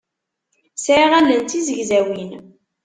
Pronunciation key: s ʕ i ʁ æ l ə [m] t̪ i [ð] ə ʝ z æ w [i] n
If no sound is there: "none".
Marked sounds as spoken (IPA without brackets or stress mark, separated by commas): n, z, i